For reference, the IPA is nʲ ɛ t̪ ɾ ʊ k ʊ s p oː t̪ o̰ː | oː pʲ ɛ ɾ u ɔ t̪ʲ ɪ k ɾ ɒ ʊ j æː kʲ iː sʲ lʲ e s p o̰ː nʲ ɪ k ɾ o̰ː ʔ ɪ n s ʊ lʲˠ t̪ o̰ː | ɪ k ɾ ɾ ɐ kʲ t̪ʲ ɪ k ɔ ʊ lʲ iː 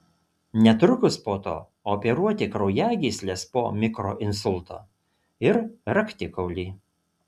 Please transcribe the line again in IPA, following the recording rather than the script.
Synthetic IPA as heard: nʲ ɛ t̪ ɾ ʊ k ʊ s p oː t̪ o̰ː | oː pʲ ɛ ɾ u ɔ t̪ʲ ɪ k ɾ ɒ ʊ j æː ɡʲ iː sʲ lʲ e s p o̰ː mʲ ɪ k ɾ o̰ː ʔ ɪ n s ʊ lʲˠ t̪ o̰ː | ɪ ɾ ɾ ɐ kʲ t̪ʲ ɪ k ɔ ʊ lʲ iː

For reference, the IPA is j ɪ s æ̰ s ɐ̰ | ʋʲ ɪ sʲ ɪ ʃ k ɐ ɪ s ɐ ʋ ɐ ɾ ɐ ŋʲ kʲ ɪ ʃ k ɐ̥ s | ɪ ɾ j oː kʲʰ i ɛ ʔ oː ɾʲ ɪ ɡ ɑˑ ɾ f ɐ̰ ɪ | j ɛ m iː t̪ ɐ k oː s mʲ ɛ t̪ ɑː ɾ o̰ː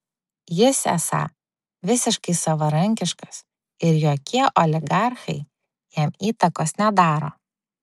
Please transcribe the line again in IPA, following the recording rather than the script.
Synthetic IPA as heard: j ɪ s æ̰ s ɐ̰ | ʋʲ ɪ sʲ ɪ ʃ k ɐ ɪ s ɐ ʋ ɐ ɾ ɐ ŋʲ kʲ ɪ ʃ k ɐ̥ s | ɪ ɾ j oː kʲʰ i ɛ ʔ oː lʲ ɪ ɡ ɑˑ ɾ x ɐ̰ ɪ | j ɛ m iː t̪ ɐ k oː s nʲ ɛ d̪ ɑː ɾ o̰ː

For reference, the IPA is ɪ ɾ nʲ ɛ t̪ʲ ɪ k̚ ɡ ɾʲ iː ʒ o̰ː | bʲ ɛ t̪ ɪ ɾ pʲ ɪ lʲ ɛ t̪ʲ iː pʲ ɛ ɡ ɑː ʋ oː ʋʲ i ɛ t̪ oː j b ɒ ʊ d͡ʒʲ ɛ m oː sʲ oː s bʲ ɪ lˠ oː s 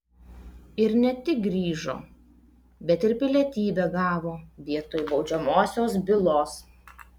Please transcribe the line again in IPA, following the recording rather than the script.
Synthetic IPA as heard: ɪ ɾ nʲ ɛ t̪ʲ ɪ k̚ ɡ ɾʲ iː ʒ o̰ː | bʲ ɛ t̪ ɪ ɾ pʲ ɪ lʲ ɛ t̪ʲ iː bʲ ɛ ɡ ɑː ʋ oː ʋʲ i ɛ t̪ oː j b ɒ ʊ d͡ʒʲ ɛ m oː sʲ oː s bʲ ɪ lˠ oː s

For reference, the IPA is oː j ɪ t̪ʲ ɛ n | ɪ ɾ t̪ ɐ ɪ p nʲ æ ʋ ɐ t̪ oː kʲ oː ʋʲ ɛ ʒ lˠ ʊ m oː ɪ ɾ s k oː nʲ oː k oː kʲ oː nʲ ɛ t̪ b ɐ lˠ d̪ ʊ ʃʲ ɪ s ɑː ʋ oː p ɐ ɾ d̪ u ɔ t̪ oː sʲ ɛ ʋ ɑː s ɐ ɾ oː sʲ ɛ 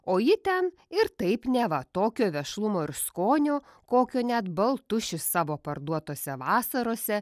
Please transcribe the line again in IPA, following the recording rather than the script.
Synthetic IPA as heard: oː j ɪ t̪ʲ ɛ n | ɪ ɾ t̪ ɐ ɪ p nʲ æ ʋ ɐ t̪ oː kʲ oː ʋʲ ɛ ʃ lˠ ʊ m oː ɪ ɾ s k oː nʲ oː k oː kʲ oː nʲ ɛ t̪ b ɐ lˠ t̪ ʊ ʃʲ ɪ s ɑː ʋ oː p ɐ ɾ d̪ u ɔ t̪ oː sʲ ɛ ʋ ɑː s ɐ ɾ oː sʲ ɛ

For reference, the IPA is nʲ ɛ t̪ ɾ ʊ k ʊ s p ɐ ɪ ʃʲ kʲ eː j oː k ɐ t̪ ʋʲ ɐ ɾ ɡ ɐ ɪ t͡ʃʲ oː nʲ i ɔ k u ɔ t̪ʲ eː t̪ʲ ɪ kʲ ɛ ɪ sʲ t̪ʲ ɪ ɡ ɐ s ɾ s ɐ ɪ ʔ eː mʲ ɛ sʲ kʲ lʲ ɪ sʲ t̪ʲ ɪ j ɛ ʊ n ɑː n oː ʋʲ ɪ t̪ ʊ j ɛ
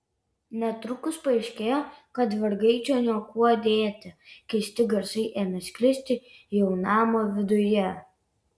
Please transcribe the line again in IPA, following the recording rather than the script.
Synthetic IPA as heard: nʲ ɛ t̪ ɾ ʊ k ʊ s p ɐ ɪ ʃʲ kʲ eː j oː k ɐ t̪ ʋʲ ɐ ɾ ɡ ɐ ɪ t͡ʃʲ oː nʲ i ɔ k u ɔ d̪ʲ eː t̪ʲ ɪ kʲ ɛ ɪ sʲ t̪ʲ ɪ ɡ ɐ ɾ s ɐ ɪ ʔ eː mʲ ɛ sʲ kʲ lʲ ɪ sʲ t̪ʲ ɪ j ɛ ʊ n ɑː m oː ʋʲ ɪ d̪ ʊ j ɛ

